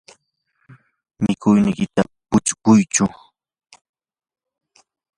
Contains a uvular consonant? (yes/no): no